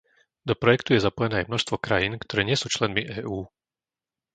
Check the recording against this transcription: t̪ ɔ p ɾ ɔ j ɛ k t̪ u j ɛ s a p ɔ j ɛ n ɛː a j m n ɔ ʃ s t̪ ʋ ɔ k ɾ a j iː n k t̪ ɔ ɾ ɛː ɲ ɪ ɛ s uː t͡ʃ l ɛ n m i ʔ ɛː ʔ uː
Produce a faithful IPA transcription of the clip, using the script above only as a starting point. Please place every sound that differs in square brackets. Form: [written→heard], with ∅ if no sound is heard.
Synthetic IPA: [t̪→d̪] ɔ p ɾ ɔ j ɛ k t̪ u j ɛ [s→z] a p ɔ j ɛ n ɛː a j m n ɔ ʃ s t̪ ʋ ɔ k ɾ a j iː n k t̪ ɔ ɾ ɛː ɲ ɪ ɛ s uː t͡ʃ l ɛ n m i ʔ ɛː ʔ uː